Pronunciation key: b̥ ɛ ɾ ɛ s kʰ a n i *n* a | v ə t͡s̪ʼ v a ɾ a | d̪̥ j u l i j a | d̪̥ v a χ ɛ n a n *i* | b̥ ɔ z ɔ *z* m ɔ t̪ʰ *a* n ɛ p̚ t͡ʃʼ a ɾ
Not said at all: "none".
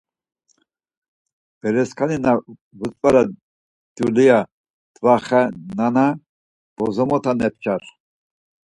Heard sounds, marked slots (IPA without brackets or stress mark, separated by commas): n, a, none, a